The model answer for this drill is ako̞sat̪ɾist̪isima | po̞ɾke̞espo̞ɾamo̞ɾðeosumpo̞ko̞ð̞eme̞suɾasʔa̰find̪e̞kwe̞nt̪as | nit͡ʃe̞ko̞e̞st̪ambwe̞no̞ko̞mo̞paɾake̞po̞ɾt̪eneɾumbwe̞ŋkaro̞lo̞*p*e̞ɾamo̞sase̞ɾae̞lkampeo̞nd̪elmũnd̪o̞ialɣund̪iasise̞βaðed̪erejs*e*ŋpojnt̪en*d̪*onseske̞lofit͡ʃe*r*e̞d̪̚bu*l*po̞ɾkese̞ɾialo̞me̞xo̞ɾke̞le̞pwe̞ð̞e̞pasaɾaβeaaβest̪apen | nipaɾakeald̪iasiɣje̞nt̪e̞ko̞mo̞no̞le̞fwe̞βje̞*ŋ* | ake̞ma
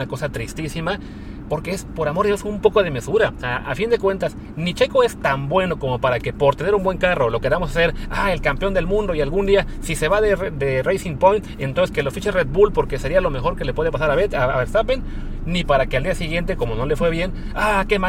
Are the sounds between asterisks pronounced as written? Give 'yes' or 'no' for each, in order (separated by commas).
no, no, no, yes, yes, no